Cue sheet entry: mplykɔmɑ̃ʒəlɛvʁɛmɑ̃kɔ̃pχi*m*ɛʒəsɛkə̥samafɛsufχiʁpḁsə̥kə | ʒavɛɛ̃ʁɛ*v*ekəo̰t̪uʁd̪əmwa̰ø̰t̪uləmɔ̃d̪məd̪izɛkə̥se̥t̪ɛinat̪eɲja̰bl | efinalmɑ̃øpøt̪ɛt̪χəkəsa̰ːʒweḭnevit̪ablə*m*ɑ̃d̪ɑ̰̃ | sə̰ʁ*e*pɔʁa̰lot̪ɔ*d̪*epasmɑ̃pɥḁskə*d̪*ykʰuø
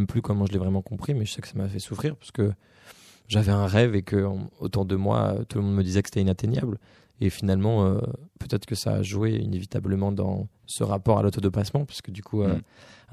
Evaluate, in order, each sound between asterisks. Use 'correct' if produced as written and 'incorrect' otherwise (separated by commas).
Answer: correct, correct, correct, incorrect, correct, correct